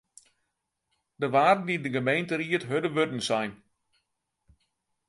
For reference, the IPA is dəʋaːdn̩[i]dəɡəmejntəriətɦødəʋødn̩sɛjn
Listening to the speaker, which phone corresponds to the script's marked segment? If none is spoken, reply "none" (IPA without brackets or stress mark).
i